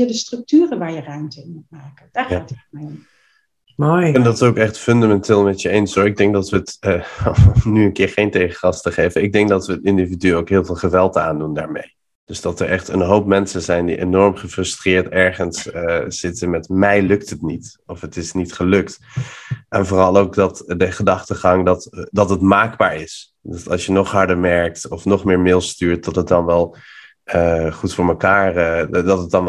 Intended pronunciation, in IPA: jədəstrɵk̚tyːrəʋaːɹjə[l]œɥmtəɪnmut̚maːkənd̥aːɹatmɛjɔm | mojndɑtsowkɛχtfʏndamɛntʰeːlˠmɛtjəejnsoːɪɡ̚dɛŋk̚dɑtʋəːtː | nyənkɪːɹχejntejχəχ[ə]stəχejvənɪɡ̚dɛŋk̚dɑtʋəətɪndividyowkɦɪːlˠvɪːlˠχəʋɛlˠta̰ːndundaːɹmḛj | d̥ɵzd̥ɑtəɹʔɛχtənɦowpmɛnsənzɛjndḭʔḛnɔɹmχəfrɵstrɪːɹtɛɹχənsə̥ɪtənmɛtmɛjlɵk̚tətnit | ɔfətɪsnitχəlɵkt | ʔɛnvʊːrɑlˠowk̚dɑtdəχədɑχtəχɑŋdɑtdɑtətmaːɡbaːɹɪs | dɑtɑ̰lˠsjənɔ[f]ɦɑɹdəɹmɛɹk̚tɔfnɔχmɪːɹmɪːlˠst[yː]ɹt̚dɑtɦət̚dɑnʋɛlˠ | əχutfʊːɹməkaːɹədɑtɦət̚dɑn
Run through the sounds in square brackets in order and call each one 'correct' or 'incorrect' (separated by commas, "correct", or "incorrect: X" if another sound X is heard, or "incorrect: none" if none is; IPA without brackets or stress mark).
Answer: incorrect: r, incorrect: ɑ, incorrect: χ, correct